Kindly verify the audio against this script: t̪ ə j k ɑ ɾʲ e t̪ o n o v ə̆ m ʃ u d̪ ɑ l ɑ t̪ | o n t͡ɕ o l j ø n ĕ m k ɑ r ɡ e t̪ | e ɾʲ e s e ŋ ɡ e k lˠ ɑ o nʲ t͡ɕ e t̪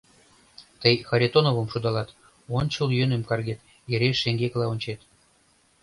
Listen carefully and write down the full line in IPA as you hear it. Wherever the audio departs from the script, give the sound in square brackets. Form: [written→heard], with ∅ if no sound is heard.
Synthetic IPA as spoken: t̪ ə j [k→x] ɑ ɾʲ e t̪ o n o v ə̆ m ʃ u d̪ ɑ l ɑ t̪ | o n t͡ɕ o l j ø n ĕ m k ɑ r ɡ e t̪ | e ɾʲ e [s→ʃ] e ŋ ɡ e k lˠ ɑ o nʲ t͡ɕ e t̪